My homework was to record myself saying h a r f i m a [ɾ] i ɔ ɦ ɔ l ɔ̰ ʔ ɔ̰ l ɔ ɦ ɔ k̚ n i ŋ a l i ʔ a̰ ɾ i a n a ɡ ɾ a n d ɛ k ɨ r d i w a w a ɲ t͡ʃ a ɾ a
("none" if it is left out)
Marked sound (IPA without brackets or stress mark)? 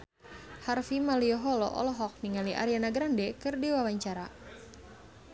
l